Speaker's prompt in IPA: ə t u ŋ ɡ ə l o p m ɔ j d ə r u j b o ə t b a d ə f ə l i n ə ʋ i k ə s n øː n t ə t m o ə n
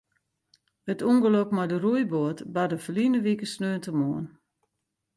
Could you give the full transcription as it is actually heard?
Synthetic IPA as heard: ə t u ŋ ɡ ə l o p m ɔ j d ə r u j b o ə t b a d ə f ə l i n ə ʋ i k ə s n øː n t ə m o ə n